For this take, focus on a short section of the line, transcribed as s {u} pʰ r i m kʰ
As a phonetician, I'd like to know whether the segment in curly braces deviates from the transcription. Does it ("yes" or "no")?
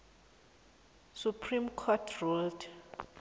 no